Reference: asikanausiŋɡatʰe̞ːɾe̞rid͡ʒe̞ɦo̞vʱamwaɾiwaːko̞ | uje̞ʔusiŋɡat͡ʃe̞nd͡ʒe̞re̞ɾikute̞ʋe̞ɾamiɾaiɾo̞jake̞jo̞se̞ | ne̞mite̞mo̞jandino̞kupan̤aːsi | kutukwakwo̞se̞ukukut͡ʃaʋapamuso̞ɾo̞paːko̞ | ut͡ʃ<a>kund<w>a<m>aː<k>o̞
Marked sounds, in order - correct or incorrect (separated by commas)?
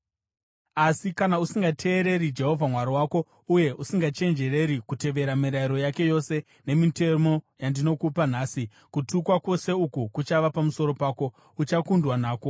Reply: correct, correct, incorrect, correct